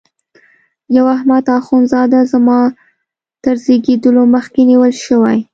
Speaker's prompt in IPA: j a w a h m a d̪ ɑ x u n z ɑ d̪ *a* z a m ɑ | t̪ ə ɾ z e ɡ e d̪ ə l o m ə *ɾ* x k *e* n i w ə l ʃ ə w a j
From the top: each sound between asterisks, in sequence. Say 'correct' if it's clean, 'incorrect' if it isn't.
correct, incorrect: none, correct

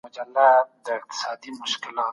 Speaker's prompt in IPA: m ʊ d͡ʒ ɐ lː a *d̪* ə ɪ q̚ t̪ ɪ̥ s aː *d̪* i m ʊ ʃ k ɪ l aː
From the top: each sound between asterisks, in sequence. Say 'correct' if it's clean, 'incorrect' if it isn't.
correct, correct

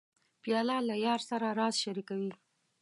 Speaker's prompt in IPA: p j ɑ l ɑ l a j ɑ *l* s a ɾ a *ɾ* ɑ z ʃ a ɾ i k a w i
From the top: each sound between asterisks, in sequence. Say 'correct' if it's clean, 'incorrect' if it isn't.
incorrect: ɾ, correct

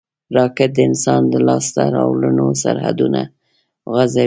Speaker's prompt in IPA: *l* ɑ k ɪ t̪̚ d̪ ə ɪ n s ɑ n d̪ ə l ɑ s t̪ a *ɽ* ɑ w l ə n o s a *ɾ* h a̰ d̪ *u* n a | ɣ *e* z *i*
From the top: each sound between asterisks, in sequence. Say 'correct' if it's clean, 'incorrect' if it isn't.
incorrect: ɾ, incorrect: ɾ, correct, correct, incorrect: a, incorrect: a

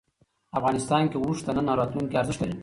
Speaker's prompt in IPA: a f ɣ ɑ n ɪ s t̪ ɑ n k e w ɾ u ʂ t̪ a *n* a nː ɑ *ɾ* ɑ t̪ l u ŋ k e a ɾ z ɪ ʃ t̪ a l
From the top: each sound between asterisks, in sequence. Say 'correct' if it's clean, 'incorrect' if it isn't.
correct, correct

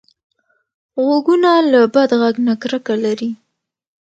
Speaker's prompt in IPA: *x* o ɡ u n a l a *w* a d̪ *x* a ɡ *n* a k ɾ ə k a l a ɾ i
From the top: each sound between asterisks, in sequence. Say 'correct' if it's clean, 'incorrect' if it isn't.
incorrect: ɣ, incorrect: b, incorrect: ɣ, correct

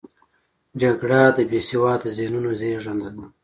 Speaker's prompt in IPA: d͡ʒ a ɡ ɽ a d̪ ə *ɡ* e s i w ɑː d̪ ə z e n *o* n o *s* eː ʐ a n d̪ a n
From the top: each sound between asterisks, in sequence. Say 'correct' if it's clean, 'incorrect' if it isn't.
incorrect: b, incorrect: u, incorrect: z

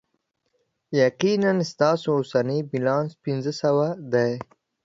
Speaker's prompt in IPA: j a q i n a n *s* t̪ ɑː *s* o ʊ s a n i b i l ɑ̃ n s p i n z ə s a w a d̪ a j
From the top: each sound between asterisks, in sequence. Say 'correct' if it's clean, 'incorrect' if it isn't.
correct, correct

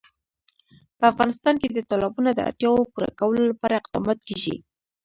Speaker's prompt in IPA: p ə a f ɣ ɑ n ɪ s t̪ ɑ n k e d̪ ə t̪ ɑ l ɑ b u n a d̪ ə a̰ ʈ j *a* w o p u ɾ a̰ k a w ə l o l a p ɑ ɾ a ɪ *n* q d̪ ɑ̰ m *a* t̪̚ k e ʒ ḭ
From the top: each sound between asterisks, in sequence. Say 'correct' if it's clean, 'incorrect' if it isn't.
incorrect: ɑ, incorrect: none, incorrect: ɑ

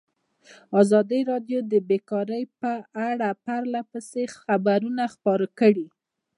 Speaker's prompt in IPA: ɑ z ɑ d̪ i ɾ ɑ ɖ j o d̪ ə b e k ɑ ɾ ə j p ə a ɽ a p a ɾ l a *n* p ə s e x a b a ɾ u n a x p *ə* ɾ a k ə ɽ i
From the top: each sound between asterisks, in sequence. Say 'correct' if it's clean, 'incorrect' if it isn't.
incorrect: none, incorrect: ɑ

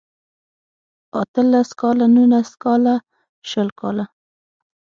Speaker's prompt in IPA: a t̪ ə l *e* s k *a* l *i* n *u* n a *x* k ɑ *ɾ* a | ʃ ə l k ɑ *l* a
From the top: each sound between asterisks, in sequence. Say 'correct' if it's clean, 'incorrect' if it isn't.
incorrect: a, incorrect: ɑ, incorrect: a, correct, incorrect: s, incorrect: l, correct

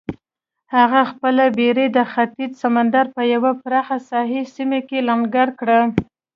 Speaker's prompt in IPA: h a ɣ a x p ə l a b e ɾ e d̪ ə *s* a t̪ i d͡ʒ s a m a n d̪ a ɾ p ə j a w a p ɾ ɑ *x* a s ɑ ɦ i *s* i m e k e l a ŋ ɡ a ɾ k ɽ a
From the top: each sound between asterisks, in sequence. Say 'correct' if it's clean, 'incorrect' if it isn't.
incorrect: x, correct, correct

